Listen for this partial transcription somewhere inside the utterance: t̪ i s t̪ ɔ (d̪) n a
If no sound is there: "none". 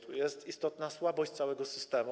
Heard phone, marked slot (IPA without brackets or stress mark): t̪